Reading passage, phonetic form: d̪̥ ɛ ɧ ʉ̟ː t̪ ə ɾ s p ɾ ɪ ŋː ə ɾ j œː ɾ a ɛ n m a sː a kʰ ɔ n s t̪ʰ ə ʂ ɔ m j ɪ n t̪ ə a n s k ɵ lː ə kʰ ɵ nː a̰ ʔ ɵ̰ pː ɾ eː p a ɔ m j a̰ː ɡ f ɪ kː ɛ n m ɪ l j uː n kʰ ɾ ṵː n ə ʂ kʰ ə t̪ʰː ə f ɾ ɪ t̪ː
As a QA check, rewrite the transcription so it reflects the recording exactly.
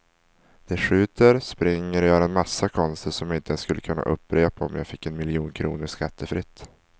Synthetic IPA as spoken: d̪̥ ɛ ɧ ʉ̟ː t̪ ə ɾ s p ɾ ɪ ŋː ə ɾ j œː ɾ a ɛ n m a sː a kʰ ɔ n s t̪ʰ ə ʂ ɔ m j ɪ n t̪ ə ɛ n s k ɵ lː ə kʰ ɵ nː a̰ ʔ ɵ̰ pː ɾ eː p a ɔ m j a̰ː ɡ f ɪ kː ɛ n m ɪ l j uː n kʰ ɾ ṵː n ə ʂ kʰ a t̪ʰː ə f ɾ ɪ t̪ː

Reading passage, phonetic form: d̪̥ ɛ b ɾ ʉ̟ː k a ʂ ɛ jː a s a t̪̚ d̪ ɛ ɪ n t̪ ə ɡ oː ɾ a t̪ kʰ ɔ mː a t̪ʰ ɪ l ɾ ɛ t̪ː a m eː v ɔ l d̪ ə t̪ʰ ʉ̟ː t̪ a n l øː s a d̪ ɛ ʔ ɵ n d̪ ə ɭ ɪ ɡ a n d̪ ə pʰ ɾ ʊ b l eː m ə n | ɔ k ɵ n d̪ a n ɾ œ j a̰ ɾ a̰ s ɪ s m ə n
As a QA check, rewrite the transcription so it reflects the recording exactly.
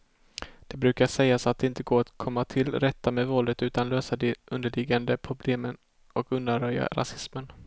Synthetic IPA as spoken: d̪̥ ɛ b ɾ ʉ̟ː k a ʂ ɛ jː a s a t̪̚ d̪ ɛ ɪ n t̪ ə ɡ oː ɾ a t̪ kʰ ɔ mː a t̪ʰ ɪ l ɾ ɛ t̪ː a m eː v ɔ l d̪ ə t̪ ʉ̟ː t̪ a n l øː s a d̪ ɛ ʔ ɵ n d̪ ə ɭ ɪ ɡ a n d̪ ə pʰ ɾ ʊ b l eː m ə n | ɔ k ɵ n d̪ a n ɾ œ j a̰ ɾ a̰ s ɪ s m ə n

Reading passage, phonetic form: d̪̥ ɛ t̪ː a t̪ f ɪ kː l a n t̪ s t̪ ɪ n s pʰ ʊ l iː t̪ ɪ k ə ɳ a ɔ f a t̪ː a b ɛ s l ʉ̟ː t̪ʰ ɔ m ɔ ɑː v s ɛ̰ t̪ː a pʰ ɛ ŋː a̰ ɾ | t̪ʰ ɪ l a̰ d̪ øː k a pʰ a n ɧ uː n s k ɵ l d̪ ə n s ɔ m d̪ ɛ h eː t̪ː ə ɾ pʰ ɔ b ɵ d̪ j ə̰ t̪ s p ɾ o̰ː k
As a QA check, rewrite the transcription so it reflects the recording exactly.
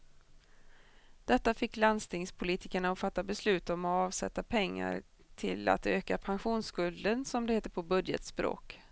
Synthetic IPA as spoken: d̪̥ ɛ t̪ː a f ɪ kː l a n d̪ s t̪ ɪ ŋ s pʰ ʊ l iː t̪ ɪ k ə ɳ a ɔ f a t̪ː a b ɛ s l ʉ̟ː t̪ ɔ m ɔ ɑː v s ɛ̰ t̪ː a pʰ ɛ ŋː a̰ ɾ | t̪ʰ ɪ l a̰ t̪ øː k a pʰ a n ɧ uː n s k ɵ l d̪ ə n s ɔ m d̪ ɛ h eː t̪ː ə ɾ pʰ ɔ b ɵ d̪ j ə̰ t̪ s p ɾ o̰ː k

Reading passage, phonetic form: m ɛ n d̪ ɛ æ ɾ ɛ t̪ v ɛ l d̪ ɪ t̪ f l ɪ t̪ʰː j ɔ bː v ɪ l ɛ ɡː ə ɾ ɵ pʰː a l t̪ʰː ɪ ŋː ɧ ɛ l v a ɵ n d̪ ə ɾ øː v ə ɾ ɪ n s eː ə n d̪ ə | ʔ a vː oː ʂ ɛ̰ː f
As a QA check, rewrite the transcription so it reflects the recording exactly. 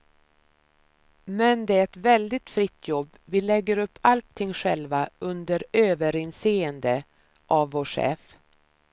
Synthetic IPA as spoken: m ɛ n d̪ ɛ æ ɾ ɛ t̪ v ɛ l d̪ ɪ t̪ f ɾ ɪ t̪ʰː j ɔ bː v ɪ l ɛ ɡː ə ɾ ɵ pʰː a l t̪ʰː ɪ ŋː ɧ ɛ l v a ɵ n d̪ ə ɾ øː v ə ɾ ɪ n s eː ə n d̪ ə | ʔ a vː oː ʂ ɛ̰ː f

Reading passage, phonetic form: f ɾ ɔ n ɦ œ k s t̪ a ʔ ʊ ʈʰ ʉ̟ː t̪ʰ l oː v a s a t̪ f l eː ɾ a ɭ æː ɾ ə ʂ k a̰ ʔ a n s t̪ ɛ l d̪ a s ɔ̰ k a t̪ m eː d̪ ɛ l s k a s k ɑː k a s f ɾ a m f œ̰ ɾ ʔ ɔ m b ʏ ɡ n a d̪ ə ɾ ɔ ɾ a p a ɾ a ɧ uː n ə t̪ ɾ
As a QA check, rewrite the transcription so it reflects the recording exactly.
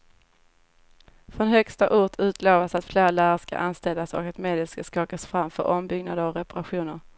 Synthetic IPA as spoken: f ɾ ɔ n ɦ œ k s t̪ a ʔ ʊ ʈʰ ʉ̟ː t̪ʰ l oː v a s a t̪ f l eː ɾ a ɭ æː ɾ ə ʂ k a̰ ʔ a n s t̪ ɛ l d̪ a s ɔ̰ k a t̪ m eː d̪ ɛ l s k a s k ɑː k a s f ɾ a m f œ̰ ɾ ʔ ɔ m b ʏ ɡ n a d̪ ə ɾ ɔ ɾ ɛ p a ɾ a ɧ uː n ə ɾ

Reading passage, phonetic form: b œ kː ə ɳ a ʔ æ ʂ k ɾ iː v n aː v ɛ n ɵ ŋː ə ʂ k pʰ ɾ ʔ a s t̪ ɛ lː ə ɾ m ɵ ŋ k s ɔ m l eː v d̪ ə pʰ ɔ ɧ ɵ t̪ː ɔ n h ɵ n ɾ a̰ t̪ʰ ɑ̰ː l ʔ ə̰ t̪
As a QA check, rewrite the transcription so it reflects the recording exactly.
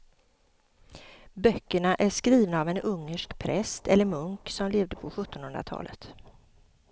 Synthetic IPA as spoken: b œ kː ə ɳ a ʔ æ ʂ k ɾ iː v n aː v ɛ n ɵ ŋː ə ʂ k pʰ ɾ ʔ ɛ s t̪ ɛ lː ə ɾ m ɵ ŋ k s ɔ m l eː v d̪ ə pʰ ɔ ɧ ɵ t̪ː ɔ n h ɵ n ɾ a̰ t̪ʰ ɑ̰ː l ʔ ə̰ t̪

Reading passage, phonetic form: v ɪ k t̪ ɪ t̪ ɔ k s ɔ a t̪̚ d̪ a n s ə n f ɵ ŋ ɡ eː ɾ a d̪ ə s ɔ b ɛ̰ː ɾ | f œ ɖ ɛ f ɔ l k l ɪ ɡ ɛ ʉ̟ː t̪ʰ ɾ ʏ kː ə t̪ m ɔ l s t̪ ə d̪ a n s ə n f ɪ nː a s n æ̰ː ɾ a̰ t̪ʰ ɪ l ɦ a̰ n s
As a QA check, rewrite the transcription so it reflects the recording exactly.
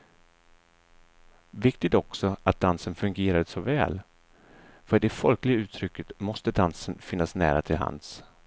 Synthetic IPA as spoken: v ɪ k t̪ ɪ t̪ ɔ k s ɔ a t̪̚ d̪ a n s ə n f ɵ ŋ ɡ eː ɾ a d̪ ə s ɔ v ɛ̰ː l | f œ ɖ ɛ f ɔ l k l ɪ ɡ a ʉ̟ː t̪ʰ ɾ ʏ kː ə t̪ m ɔ s t̪ ə d̪ a n s ə n f ɪ nː a s n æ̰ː ɾ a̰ t̪ʰ ɪ l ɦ a̰ n s

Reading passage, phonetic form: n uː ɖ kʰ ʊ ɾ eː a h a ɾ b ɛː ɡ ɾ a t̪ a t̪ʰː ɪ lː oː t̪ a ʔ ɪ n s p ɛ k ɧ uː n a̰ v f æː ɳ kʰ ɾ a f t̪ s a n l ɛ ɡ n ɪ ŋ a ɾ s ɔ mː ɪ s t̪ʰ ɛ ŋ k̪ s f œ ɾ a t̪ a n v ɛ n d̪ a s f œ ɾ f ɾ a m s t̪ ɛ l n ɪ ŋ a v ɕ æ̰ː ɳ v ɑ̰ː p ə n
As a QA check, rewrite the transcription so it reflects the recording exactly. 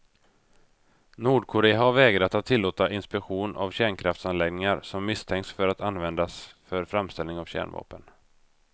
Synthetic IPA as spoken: n uː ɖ kʰ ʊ ɾ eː a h a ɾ v ɛː ɡ ɾ a t̪ a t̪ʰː ɪ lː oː t̪ a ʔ ɪ n s p ɛ k ɧ uː n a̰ v ɕ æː ɳ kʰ ɾ a f t̪ s a n l ɛ ɡ n ɪ ŋ a ɾ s ɔ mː ɪ s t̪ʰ ɛ ŋ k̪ s f œ ɾ a t̪ a n v ɛ n d̪ a s f œ ɾ f ɾ a m s t̪ ɛ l n ɪ ŋ a v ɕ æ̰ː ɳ v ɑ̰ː p ə n

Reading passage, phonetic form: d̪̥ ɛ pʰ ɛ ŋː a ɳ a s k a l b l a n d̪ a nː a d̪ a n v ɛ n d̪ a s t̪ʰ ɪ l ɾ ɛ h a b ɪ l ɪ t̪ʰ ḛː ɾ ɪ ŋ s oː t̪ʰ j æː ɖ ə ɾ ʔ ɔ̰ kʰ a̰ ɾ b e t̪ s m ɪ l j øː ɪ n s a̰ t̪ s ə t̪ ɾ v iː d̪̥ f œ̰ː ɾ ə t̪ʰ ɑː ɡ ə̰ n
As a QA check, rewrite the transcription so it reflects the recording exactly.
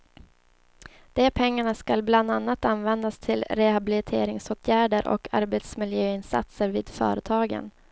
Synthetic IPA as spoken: d̪̥ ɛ pʰ ɛ ŋː a ɳ a s k a l b l a n d̪ a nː a t̪ a n v ɛ n d̪ a s t̪ʰ ɪ l ɾ ɛ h a b ɪ l ɪ t̪ʰ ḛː ɾ ɪ ŋ s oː t̪ʰ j æː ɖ ə ɾ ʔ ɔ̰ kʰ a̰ ɾ b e t̪ s m ɪ l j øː ɪ n s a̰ t̪ s ə ɾ v iː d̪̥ f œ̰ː ɾ ə t̪ʰ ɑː ɡ ə̰ n

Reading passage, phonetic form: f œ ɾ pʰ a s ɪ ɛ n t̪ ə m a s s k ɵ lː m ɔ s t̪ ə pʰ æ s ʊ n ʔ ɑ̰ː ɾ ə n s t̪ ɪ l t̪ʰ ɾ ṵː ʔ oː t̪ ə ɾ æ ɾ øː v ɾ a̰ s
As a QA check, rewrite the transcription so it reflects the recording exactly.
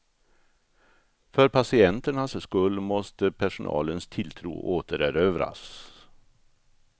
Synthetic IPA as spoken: f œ ɾ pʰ a s ɪ ɛ n t̪ ə ɳ a s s k ɵ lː m ɔ s t̪ ə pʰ æ ʂ ʊ n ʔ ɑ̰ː l ə n s t̪ʰ ɪ l t̪ʰ ɾ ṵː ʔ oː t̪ ə ɾ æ ɾ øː v ɾ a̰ s

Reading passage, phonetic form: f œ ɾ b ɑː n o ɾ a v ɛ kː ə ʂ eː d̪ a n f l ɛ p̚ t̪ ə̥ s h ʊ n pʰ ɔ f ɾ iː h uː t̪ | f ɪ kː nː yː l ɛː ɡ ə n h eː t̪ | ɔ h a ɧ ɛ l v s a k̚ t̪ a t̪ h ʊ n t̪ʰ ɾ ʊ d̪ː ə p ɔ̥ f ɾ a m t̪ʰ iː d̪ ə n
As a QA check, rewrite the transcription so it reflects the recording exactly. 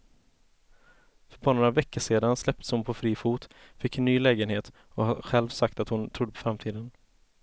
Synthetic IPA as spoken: f œ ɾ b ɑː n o ɾ a v ɛ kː ə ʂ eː d̪ a n s l ɛ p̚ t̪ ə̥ s h ʊ n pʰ ɔ f ɾ iː f uː t̪ | f ɪ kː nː yː l ɛː ɡ ə n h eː t̪ | ɔ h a ɧ ɛ l v s a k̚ t̪ a t̪ h ʊ n t̪ʰ ɾ ʊ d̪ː ə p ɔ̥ f ɾ a m t̪ʰ iː d̪ ə n

